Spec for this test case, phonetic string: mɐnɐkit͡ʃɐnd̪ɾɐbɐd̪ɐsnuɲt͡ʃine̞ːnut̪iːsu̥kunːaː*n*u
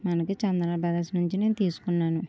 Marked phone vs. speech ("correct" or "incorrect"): correct